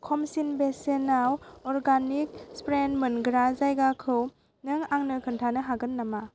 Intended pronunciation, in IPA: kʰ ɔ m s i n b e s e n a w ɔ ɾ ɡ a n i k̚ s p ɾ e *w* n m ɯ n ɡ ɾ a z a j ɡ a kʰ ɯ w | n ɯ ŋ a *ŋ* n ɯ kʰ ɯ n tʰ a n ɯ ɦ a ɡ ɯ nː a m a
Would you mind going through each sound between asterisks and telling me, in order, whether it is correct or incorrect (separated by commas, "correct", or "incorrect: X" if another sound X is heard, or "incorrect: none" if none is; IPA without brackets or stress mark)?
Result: incorrect: none, correct